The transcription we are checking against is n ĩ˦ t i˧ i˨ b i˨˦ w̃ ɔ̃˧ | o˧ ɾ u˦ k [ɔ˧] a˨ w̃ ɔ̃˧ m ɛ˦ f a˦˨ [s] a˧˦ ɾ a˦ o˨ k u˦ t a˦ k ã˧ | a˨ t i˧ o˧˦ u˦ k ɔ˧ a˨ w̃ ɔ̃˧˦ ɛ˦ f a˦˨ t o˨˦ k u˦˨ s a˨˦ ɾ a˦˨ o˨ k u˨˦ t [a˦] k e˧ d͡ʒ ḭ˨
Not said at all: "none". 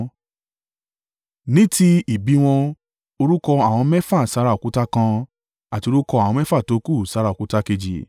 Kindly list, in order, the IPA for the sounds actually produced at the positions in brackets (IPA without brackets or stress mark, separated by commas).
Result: ɔ˧, s, a˦